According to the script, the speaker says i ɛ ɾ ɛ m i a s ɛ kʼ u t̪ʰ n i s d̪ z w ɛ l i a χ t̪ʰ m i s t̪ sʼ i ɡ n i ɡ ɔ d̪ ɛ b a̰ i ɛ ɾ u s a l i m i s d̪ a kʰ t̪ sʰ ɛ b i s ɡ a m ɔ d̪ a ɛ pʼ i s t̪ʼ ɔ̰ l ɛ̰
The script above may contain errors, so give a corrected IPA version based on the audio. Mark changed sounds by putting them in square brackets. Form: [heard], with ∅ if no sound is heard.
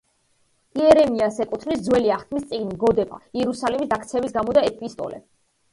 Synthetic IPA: i ɛ ɾ ɛ m i a s ɛ kʼ u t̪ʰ n i s d̪ z w ɛ l i a χ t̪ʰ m i s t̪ sʼ i ɡ n i ɡ ɔ d̪ ɛ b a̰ i ɛ ɾ u s a l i m i s d̪ a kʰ t̪ sʰ ɛ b i s ɡ a m ɔ d̪ a ɛ pʼ i s t̪ʼ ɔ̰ l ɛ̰